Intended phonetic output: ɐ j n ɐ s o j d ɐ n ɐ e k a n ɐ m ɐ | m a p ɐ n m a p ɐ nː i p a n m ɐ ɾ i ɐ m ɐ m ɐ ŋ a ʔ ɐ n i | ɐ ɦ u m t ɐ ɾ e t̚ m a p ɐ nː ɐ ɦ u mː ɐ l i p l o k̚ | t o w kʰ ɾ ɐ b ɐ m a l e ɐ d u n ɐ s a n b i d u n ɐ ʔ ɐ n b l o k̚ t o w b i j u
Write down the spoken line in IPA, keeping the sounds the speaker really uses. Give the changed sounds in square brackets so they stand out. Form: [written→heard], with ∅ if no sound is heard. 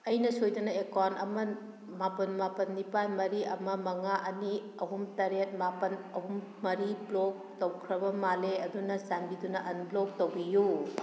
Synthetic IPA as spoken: ɐ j n ɐ s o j d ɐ n ɐ e k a n ɐ m ɐ | m a p ɐ n m a p ɐ nː i p a n m ɐ ɾ i ɐ m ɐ m ɐ ŋ a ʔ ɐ n i | ɐ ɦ u m t ɐ ɾ e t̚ m a p ɐ [nː→n] ɐ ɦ u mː ɐ [l→ɾ] i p l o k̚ | t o w kʰ ɾ ɐ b ɐ m a l e ɐ d u n ɐ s a n b i d u n ɐ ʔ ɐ n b l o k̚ t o w b i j u